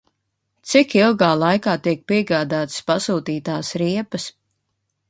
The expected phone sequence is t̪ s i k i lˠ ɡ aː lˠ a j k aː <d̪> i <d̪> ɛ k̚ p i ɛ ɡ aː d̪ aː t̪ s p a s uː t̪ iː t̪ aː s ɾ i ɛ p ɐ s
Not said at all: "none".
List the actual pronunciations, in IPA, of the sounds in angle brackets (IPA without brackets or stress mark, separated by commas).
t̪, none